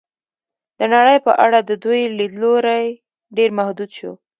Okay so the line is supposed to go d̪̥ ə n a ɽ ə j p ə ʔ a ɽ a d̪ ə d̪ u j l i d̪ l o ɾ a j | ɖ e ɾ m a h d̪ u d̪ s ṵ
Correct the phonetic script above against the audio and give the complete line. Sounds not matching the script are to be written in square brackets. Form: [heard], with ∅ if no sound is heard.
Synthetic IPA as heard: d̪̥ ə n a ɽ ə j p ə ʔ a ɽ a d̪ ə d̪ u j l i d̪ l o ɾ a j | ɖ e ɾ m a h d̪ u d̪ [ʃ] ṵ